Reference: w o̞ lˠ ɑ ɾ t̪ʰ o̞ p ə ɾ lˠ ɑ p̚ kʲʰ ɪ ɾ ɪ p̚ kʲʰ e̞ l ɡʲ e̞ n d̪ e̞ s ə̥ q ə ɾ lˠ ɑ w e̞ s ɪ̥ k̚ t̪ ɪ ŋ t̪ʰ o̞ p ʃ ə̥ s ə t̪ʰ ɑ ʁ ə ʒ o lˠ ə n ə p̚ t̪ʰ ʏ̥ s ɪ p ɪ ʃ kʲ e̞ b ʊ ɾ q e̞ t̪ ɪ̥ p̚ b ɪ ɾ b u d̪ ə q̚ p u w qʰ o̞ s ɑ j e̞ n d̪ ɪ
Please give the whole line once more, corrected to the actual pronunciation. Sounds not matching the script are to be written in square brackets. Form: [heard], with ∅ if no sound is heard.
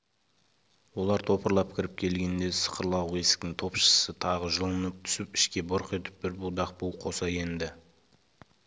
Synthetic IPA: w o̞ lˠ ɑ ɾ t̪ʰ o̞ p ə ɾ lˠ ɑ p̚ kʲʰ ɪ ɾ ɪ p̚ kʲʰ e̞ l ɡʲ e̞ n d̪ e̞ s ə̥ q ə ɾ lˠ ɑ w e̞ s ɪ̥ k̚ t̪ ɪ ŋ t̪ʰ o̞ p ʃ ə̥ s ə t̪ʰ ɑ ʁ ə ʒ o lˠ ə n ə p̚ t̪ʰ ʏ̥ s ɪ p ɪ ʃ kʲ e̞ b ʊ ɾ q e̞ t̪ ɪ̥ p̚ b ɪ ɾ b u d̪ [ɑ] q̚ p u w qʰ o̞ s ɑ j e̞ n d̪ ɪ